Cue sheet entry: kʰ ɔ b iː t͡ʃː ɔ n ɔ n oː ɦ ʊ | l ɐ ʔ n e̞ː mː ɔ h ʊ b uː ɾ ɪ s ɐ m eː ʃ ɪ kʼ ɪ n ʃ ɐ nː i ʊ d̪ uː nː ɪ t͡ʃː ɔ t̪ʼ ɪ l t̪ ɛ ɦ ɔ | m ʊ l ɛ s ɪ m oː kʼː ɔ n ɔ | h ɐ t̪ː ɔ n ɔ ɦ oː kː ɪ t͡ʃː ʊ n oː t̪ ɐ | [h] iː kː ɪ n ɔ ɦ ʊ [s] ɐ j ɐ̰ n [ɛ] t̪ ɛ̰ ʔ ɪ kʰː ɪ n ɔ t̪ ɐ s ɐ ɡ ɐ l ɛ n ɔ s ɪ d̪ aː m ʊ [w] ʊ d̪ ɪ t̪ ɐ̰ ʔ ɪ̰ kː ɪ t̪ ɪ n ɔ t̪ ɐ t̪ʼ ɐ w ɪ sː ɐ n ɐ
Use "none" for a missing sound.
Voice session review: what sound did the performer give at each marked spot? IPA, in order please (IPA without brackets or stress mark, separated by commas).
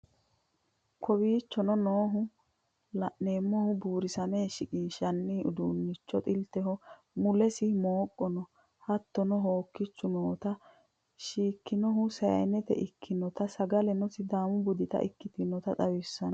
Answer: ʃ, s, ɛ, b